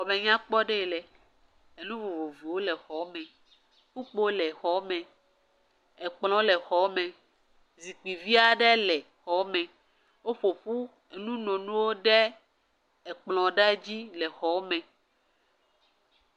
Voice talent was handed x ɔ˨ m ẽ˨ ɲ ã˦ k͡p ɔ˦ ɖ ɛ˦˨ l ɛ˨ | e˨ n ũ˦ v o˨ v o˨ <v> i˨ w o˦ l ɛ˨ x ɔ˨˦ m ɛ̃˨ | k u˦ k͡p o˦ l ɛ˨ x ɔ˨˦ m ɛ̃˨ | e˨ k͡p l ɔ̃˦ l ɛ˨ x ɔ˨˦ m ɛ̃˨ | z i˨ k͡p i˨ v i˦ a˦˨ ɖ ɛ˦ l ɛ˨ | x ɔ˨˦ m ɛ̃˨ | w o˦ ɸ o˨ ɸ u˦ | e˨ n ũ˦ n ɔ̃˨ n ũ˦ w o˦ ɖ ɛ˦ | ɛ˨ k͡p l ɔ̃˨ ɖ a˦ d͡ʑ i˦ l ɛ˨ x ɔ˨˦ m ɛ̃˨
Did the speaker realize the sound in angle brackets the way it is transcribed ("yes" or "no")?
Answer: yes